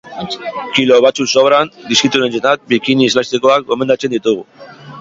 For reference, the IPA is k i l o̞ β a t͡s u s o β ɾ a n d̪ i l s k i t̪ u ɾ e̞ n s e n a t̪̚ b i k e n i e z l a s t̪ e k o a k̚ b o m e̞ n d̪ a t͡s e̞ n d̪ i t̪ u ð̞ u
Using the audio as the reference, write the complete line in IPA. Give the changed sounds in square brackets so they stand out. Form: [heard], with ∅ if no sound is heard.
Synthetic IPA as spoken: k i l o̞ β a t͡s u s o β ɾ a n d̪ i [∅] s k i t̪ u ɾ e̞ n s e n a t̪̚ b i k [i] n i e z l a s t̪ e k o a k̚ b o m e̞ n d̪ a t͡s e̞ n d̪ i t̪ u [ɣ̞] u